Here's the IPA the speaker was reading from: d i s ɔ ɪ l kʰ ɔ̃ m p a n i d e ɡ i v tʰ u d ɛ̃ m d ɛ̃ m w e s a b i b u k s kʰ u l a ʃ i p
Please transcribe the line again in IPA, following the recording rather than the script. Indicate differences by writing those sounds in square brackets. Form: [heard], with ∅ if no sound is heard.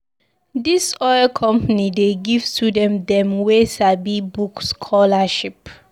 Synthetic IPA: d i s ɔ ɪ l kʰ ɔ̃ m p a n i d e ɡ i v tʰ u d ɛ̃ m d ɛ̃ m w e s a b i b u k s kʰ [ɔ] l a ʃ i p